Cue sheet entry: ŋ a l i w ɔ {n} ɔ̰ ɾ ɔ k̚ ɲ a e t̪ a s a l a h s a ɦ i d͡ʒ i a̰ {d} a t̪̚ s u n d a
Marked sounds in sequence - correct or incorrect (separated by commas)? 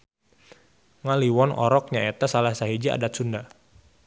correct, correct